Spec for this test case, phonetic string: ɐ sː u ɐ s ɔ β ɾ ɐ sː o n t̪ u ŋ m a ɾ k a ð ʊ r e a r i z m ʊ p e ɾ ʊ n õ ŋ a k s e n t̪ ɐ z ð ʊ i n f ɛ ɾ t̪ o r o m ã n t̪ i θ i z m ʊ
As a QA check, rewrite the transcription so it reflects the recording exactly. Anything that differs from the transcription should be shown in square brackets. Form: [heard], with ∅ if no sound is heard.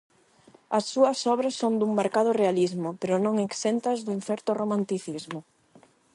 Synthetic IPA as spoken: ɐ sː u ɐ s ɔ β ɾ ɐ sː o n [d̪] u ŋ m a ɾ k a ð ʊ r e a [l] i z m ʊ p e ɾ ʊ n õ ŋ [e] k s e n t̪ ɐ z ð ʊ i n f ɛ ɾ t̪ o r o m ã n t̪ i θ i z m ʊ